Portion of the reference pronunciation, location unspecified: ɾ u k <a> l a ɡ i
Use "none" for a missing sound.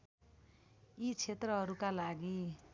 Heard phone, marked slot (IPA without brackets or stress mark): a